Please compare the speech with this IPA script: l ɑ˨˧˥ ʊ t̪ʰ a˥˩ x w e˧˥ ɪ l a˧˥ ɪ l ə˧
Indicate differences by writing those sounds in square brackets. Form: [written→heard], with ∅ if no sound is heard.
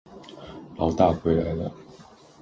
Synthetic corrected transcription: l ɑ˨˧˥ ʊ [t̪ʰ→t̪] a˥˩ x w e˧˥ ɪ l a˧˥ ɪ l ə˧